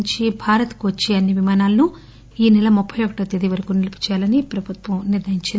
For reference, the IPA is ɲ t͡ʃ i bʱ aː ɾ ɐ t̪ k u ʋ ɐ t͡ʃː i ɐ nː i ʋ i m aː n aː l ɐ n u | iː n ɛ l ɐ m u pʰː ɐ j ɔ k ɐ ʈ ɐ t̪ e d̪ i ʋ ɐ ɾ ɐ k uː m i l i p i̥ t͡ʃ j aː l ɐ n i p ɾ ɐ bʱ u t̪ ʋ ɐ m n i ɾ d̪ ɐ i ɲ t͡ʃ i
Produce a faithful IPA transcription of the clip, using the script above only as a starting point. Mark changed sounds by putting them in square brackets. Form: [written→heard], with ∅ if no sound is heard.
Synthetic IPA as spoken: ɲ t͡ʃ i bʱ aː ɾ ɐ t̪ k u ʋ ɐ t͡ʃː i ɐ nː i ʋ i m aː n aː l ɐ n u | iː n ɛ l ɐ m u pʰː ɐ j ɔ k ɐ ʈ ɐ t̪ e d̪ i ʋ ɐ ɾ ɐ k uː [m→n] i l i p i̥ t͡ʃ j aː l ɐ n i p ɾ ɐ bʱ u t̪ ʋ ɐ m n i ɾ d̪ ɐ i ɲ t͡ʃ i